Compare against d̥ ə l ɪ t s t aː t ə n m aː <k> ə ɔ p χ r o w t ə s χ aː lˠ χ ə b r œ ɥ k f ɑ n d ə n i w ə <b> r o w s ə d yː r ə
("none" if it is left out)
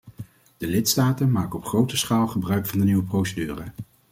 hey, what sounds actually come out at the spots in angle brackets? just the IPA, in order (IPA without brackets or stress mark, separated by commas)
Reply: k, p